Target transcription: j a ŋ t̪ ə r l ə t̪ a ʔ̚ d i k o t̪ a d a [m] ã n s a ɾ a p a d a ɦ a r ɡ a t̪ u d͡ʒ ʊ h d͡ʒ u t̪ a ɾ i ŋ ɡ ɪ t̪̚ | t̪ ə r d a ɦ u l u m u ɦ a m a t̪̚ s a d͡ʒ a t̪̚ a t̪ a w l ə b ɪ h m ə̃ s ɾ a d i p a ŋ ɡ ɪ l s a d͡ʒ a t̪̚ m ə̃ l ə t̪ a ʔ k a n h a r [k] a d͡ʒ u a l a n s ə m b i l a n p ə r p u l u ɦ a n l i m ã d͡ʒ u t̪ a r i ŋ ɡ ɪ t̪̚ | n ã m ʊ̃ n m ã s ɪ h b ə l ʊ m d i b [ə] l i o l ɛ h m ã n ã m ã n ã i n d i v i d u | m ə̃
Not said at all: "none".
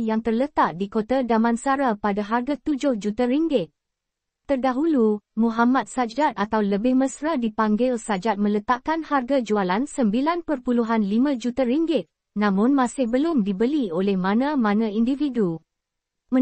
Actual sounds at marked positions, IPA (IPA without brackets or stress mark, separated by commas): m, ɡ, ə